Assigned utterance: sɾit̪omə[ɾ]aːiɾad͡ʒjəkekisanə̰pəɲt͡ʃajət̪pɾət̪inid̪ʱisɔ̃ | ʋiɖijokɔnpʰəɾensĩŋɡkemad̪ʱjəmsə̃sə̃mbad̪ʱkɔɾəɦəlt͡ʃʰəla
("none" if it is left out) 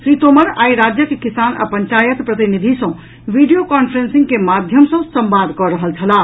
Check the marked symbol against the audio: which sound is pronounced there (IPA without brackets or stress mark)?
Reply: ɾ